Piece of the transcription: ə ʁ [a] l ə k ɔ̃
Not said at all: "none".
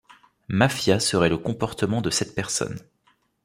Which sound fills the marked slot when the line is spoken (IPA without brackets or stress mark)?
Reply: ɛ